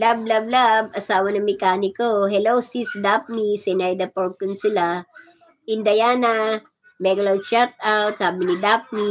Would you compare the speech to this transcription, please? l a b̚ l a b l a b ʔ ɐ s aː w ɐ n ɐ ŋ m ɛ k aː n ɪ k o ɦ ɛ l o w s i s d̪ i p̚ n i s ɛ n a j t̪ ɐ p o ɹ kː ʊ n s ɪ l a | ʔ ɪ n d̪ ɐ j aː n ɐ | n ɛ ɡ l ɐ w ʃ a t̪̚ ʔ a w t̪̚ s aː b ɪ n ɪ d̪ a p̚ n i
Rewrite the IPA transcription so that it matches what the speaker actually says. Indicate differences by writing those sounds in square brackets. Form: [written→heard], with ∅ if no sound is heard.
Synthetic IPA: l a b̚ l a b l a b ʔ ɐ s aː w ɐ n ɐ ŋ m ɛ k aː n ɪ k o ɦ ɛ l o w s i s d̪ [i→a] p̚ n i s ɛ n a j [t̪→d̪] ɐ p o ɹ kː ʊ n s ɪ l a | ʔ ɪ n d̪ ɐ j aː n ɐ | [n→m] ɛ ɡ l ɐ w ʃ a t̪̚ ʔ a w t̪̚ s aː b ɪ n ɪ d̪ a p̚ n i